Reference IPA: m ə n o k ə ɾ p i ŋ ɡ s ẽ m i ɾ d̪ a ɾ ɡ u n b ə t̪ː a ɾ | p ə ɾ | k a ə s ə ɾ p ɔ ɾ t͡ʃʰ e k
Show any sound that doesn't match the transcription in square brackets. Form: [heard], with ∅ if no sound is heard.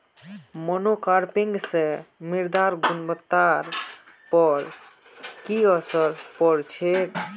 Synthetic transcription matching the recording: m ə n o k [a] ɾ p i ŋ ɡ s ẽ m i ɾ d̪ a ɾ ɡ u n b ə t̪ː a ɾ | p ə ɾ | k [i] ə s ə ɾ p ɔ ɾ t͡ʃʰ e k